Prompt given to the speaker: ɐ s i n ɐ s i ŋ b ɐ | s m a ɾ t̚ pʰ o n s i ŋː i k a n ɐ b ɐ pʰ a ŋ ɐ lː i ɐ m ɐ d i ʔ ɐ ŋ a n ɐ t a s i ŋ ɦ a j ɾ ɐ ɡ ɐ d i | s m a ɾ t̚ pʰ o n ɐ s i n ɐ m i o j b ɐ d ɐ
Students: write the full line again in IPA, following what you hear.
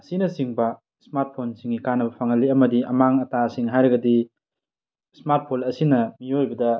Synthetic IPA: ɐ s i n ɐ s i ŋ b ɐ | s m a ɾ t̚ pʰ o n s i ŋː i k a n ɐ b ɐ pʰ a ŋ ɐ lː i ɐ m ɐ d i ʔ ɐ m a ŋ ɐ t a s i ŋ ɦ a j ɾ ɐ ɡ ɐ d i | s m a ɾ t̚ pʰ o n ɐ s i n ɐ m i o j b ɐ d ɐ

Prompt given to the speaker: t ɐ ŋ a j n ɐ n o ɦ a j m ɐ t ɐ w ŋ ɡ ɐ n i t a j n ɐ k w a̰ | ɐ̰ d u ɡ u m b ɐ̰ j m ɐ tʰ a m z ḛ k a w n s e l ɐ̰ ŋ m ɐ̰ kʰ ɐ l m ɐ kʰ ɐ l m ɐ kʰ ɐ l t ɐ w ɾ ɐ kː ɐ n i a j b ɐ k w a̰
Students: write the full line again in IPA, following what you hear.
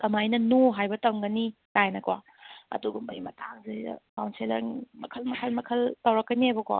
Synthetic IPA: t ɐ m a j n ɐ n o ɦ a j b ɐ t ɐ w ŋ ɡ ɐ n i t a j n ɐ k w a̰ | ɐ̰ d u ɡ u m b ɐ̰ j m ɐ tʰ a ŋ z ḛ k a w n s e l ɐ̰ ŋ m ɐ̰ kʰ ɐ l m ɐ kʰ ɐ l m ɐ kʰ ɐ l t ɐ w ɾ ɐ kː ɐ n i a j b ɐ k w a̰

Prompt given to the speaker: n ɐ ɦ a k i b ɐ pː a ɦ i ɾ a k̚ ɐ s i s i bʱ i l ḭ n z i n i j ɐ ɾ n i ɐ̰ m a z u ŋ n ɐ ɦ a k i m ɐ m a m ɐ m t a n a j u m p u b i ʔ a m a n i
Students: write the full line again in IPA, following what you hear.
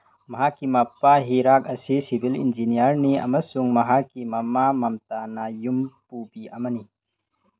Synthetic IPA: m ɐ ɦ a k i m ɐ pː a ɦ i ɾ a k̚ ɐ s i s i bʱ i l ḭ n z i n i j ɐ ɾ n i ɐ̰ m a s u ŋ m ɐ ɦ a k i m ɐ m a m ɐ m t a n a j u m p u b i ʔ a m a n i

